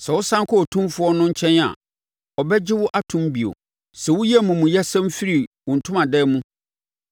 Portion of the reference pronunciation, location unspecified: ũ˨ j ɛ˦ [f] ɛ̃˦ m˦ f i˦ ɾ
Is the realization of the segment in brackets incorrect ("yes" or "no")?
yes